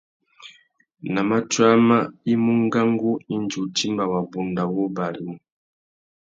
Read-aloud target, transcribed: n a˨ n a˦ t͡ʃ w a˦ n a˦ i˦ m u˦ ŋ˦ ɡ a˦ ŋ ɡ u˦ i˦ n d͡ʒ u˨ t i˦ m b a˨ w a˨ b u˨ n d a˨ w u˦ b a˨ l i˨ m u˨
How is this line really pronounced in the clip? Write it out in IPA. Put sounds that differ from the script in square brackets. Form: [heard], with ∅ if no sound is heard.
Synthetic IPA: n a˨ [m] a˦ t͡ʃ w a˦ [m] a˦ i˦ m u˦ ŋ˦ ɡ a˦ ŋ ɡ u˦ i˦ n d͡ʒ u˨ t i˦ m b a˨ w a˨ b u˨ n d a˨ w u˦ b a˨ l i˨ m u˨